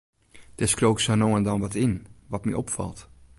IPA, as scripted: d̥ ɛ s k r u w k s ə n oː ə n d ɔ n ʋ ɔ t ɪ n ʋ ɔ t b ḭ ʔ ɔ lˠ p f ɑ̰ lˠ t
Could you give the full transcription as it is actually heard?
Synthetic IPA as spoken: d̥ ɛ s k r o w k s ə n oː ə n d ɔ n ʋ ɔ t ɪ n ʋ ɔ t m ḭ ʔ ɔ p f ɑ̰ lˠ t